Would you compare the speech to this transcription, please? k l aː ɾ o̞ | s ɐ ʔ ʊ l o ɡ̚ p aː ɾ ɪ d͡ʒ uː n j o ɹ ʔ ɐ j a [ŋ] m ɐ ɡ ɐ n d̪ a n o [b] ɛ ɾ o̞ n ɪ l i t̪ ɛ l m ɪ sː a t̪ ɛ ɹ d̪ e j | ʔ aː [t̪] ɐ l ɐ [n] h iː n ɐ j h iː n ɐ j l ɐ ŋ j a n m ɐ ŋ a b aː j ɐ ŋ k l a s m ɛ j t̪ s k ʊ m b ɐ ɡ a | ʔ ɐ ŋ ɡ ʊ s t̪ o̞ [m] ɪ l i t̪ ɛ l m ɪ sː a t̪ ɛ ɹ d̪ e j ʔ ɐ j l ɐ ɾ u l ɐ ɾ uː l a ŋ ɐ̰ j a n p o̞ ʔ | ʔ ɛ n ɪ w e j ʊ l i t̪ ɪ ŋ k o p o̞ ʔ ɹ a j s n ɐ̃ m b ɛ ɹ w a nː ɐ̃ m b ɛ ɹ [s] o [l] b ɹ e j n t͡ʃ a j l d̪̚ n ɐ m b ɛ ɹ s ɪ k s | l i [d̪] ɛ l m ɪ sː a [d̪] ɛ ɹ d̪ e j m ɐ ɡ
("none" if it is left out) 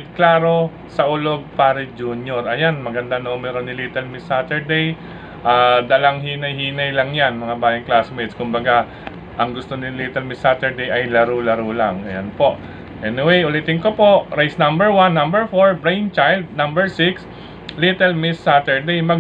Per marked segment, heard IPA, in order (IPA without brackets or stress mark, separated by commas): n, m, d̪, ŋ, n, f, ɹ, t̪, t̪